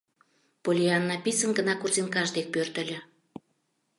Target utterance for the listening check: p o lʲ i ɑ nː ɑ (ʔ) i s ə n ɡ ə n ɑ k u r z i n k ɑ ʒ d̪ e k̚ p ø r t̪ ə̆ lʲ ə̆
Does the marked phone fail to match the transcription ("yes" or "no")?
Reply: yes